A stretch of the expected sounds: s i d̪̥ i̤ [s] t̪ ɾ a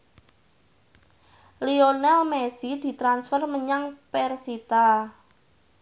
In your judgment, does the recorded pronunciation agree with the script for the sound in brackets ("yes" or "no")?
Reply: no